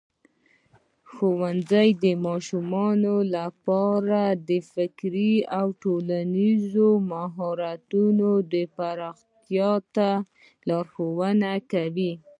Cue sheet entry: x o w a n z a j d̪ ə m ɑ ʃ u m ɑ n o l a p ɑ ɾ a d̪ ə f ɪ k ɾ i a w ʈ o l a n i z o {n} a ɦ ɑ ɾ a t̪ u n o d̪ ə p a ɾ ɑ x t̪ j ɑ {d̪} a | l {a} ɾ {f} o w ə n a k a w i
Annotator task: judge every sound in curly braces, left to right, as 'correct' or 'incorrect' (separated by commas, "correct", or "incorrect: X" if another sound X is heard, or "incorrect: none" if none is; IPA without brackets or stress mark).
incorrect: m, incorrect: t̪, incorrect: ɑ, incorrect: x